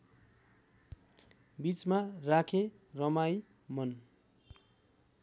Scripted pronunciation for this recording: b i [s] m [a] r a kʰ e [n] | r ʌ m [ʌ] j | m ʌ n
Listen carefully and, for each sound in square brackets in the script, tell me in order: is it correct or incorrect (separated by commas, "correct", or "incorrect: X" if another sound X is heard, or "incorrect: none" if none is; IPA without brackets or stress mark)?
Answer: incorrect: t͡s, correct, incorrect: none, incorrect: a